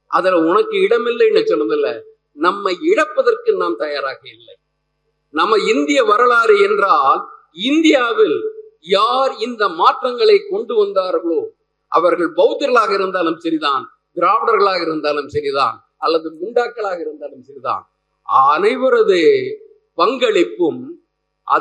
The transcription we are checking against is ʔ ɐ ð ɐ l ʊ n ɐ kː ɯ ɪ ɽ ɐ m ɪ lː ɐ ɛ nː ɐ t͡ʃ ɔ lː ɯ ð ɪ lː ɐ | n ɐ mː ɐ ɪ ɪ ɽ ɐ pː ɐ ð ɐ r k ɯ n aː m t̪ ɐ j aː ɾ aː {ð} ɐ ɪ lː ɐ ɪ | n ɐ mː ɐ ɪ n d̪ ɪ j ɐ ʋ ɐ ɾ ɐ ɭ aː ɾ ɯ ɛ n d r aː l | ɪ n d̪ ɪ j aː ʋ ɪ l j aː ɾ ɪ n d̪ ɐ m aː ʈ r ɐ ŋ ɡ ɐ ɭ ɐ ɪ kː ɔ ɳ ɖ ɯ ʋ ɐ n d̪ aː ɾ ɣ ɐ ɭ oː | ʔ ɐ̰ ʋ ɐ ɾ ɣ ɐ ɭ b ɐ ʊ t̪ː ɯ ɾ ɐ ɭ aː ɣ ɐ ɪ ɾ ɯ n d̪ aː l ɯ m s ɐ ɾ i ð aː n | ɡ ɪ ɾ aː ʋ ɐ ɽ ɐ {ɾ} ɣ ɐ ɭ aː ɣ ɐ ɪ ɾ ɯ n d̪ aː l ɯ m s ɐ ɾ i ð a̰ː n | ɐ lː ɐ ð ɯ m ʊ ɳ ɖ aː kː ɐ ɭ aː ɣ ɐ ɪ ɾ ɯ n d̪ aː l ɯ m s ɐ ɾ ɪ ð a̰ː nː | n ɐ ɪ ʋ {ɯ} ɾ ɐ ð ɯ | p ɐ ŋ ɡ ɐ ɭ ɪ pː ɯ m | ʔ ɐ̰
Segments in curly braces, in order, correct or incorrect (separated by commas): incorrect, correct, correct